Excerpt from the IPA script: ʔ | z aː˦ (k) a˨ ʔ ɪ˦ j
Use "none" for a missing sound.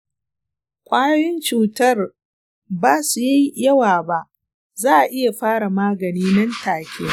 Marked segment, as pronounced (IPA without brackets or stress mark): ʔ